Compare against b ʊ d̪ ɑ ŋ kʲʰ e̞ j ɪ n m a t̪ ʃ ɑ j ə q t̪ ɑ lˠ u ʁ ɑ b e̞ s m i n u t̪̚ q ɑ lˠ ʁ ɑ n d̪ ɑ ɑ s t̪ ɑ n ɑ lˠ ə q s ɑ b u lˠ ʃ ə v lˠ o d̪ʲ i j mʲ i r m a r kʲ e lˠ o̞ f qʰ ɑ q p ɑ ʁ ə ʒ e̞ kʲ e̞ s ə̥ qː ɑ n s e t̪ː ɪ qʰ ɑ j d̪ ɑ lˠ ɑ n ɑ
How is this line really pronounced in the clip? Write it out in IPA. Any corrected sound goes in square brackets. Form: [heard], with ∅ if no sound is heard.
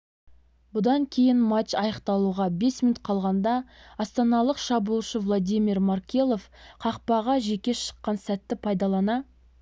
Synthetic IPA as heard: b ʊ d̪ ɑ ŋ kʲʰ e̞ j ɪ n m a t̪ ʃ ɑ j ə q t̪ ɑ lˠ u ʁ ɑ b e̞ s m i n u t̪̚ [qʰ] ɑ lˠ ʁ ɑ n d̪ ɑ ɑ s t̪ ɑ n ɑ lˠ ə q [ʃ] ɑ b u lˠ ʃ ə v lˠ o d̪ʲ i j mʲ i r m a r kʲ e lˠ o̞ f qʰ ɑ q p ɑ ʁ [ɑ] ʒ e̞ kʲ e̞ [ʃ] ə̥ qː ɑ n s [æ] t̪ː ɪ [pʰ] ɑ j d̪ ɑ lˠ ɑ n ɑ

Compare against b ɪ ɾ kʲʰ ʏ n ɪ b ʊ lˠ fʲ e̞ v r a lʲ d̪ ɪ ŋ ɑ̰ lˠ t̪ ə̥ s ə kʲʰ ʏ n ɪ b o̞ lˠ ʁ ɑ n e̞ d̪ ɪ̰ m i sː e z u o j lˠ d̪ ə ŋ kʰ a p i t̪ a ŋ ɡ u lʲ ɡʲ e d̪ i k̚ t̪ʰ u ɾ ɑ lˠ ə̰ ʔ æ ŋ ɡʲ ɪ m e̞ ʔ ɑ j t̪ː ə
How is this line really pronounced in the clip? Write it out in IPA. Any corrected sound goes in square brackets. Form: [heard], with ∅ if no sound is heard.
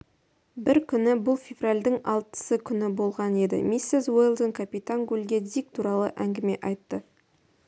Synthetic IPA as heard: b ɪ ɾ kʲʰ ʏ n ɪ b ʊ lˠ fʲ e̞ v r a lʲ d̪ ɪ ŋ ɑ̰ lˠ t̪ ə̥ s ə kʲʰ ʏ n ɪ b o̞ lˠ ʁ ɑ n e̞ d̪ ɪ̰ m i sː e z [w] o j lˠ d̪ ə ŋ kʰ a p i t̪ a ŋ ɡ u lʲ ɡʲ e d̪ i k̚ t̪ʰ u ɾ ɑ lˠ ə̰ ʔ æ ŋ ɡʲ ɪ m e̞ ʔ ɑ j t̪ː ə

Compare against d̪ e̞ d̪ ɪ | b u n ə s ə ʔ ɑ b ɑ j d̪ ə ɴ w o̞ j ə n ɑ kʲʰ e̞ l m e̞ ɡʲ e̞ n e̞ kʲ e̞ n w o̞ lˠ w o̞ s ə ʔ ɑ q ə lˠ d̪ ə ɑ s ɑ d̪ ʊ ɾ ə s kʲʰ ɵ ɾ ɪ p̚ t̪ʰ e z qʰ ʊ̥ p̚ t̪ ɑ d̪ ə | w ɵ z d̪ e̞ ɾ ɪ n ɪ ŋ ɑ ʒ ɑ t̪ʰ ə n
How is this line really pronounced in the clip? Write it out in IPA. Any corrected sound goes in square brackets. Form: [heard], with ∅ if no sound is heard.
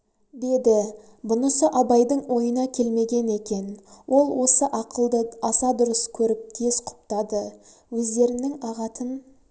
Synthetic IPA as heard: d̪ e̞ d̪ ɪ | b [ʊ] n ə s ə ʔ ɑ b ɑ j d̪ ə ɴ w o̞ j ə n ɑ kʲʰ e̞ l m e̞ ɡʲ e̞ n e̞ kʲ e̞ n w o̞ lˠ w o̞ s ə ʔ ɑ q ə lˠ d̪ ə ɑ s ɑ d̪ ʊ ɾ ə s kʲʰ ɵ ɾ ɪ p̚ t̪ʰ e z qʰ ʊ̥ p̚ t̪ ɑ d̪ ə | w ɵ z d̪ e̞ ɾ ɪ n ɪ ŋ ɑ [ʁ] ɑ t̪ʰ ə n

